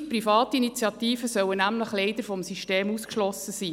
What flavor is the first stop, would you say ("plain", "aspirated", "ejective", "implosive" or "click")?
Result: plain